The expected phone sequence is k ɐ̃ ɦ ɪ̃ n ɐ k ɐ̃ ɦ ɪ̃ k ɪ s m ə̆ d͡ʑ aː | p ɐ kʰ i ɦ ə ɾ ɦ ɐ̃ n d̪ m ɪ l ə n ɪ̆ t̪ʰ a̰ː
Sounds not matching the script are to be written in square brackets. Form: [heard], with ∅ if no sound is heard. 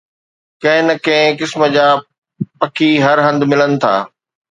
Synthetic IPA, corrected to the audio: k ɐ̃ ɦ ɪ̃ n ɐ k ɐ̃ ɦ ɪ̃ k ɪ s m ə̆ d͡ʑ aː | p ɐ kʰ i ɦ [ɐ] ɾ ɦ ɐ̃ n d̪ m ɪ l ə n ɪ̆ t̪ʰ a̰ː